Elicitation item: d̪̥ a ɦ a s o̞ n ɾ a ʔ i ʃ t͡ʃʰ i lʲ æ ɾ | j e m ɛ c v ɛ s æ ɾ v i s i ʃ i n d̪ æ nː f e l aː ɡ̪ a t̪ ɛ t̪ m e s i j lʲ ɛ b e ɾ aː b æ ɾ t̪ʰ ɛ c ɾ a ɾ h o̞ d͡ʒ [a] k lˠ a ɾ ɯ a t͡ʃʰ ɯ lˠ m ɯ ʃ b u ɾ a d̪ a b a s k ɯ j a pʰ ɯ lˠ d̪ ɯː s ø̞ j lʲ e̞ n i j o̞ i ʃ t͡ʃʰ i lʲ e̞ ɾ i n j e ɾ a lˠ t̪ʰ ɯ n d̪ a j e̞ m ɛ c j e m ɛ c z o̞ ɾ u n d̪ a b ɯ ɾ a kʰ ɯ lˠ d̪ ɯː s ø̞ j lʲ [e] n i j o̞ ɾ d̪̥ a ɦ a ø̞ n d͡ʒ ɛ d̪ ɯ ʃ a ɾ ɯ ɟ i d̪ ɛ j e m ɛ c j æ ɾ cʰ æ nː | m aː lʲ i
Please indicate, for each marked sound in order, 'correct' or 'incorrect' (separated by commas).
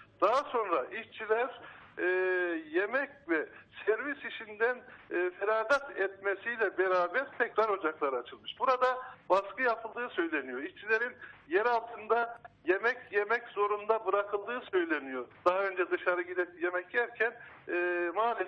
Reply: correct, correct